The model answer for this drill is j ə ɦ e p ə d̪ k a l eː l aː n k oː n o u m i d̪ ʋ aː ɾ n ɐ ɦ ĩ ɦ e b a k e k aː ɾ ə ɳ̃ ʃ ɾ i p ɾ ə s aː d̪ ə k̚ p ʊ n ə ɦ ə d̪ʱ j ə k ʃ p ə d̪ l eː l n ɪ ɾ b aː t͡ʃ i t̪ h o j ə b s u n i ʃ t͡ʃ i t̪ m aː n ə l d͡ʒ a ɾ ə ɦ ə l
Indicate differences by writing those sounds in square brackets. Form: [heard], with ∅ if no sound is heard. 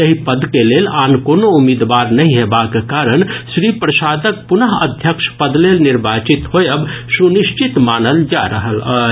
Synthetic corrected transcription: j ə ɦ [i] p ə d̪ k [e] l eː l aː n k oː n o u m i d̪ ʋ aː ɾ n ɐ ɦ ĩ ɦ e b a k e k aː ɾ ə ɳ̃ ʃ ɾ i p ɾ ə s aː d̪ ə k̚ p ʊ n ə ɦ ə d̪ʱ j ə k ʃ p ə d̪ l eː l n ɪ ɾ b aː t͡ʃ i t̪ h o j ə b s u n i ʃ t͡ʃ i t̪ m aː n ə l d͡ʒ a ɾ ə ɦ ə l